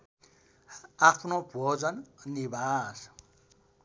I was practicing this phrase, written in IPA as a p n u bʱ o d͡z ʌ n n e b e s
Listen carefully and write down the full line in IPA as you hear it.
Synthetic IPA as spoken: a pʰ n o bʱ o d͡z ʌ n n i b a s